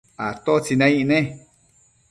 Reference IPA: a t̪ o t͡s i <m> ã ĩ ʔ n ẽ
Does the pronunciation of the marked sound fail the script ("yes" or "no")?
yes